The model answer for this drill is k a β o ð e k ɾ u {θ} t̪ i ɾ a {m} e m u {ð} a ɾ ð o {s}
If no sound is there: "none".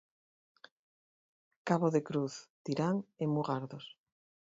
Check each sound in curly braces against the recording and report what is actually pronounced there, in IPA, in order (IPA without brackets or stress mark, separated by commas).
θ, ŋ, ɣ, s